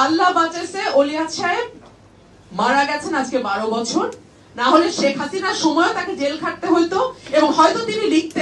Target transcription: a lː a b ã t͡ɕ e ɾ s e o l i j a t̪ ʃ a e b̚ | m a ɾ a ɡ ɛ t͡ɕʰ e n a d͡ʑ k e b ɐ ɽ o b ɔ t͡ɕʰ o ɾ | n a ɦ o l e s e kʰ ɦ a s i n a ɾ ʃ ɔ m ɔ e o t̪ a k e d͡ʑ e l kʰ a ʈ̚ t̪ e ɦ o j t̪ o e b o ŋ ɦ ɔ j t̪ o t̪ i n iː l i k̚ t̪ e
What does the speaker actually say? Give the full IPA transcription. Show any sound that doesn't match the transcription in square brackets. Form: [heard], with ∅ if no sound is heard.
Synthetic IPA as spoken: a lː a b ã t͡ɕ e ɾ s e o l i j a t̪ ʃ a e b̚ | m a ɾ a ɡ ɛ t͡ɕʰ e n a d͡ʑ k e b [a] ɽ o b ɔ t͡ɕʰ o ɾ | n a ɦ o l e [ʃ] e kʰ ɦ a s i n a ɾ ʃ ɔ m ɔ e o t̪ a k e d͡ʑ e l kʰ a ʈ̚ t̪ e ɦ o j t̪ o e b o ŋ ɦ ɔ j t̪ o t̪ i n [i] l i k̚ t̪ e